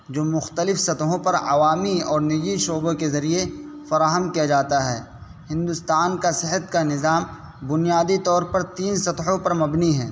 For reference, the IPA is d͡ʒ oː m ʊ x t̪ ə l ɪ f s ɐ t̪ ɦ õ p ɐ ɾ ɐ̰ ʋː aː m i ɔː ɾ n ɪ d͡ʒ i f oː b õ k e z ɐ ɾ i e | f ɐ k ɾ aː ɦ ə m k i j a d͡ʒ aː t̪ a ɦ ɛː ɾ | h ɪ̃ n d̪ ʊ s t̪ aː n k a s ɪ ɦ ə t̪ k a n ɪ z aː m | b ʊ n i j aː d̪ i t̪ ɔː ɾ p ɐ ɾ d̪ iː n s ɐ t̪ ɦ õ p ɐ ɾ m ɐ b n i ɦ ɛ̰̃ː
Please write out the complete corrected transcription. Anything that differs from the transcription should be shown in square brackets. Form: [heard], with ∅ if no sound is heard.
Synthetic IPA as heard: d͡ʒ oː m ʊ x t̪ ə l ɪ f s ɐ t̪ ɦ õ p ɐ ɾ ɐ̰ [ʋ] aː m i ɔː ɾ n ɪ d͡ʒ i [ʃ] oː b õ k e z ɐ ɾ i e | f ɐ [∅] ɾ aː ɦ ə m k i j a d͡ʒ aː t̪ a ɦ ɛː [∅] | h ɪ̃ n d̪ ʊ s t̪ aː n k a s ɪ ɦ ə t̪ k a n ɪ z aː m | b ʊ n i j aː d̪ i t̪ ɔː ɾ p ɐ ɾ [t̪] iː n s ɐ t̪ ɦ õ p ɐ ɾ m ɐ b n i ɦ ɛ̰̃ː